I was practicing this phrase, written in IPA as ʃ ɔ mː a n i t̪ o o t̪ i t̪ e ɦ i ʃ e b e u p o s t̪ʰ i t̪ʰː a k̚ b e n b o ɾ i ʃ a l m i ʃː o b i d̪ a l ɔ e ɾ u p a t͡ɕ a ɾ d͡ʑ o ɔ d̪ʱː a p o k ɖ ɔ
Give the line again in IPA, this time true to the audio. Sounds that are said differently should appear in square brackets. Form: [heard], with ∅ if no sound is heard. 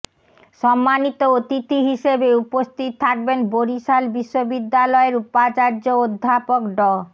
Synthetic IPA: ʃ ɔ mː a n i t̪ o o t̪ i t̪ [i] ɦ i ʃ e b e u p o s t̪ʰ i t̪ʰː a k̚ b e n b o ɾ i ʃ a l [b] i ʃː o b i [d̪ː] a l ɔ e ɾ u p a t͡ɕ a ɾ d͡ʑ o [o] d̪ʱː a p o k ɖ ɔ